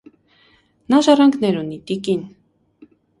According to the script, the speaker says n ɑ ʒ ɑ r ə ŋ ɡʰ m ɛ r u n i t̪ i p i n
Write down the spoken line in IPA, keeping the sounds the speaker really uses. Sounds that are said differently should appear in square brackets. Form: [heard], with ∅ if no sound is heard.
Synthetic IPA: n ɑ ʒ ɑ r [ɑ] ŋ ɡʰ [n] ɛ [ɾ] u n i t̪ i [k] i n